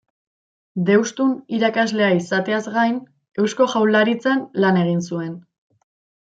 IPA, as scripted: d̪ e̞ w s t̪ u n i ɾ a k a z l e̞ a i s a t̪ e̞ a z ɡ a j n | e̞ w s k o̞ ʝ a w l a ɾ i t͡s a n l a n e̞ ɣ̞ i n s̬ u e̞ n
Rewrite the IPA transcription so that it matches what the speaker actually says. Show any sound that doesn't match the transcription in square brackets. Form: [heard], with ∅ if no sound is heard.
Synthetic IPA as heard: d̪ e̞ w s t̪ u n i ɾ a k a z l e̞ a i s a t̪ e̞ a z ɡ a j n | e̞ w s k o̞ ʝ a w l a ɾ i t͡s a n l a n e̞ ɣ̞ i n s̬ u e̞ n